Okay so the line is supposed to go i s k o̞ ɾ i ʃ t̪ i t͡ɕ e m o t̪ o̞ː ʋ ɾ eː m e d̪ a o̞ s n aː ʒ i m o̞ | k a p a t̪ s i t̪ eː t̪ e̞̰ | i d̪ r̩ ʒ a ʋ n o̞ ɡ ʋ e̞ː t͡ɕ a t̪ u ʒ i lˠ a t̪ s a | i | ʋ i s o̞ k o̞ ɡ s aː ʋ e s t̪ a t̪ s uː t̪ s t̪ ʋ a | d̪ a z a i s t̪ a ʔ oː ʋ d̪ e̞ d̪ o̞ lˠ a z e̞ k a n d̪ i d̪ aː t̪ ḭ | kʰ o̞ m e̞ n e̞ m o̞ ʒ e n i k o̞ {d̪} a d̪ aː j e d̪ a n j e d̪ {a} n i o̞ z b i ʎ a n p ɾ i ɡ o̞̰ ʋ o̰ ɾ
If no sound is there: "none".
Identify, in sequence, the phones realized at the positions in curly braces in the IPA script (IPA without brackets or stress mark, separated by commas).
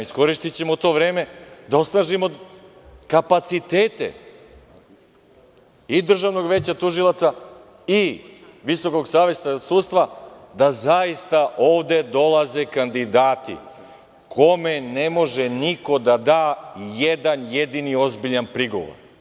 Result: d̪, i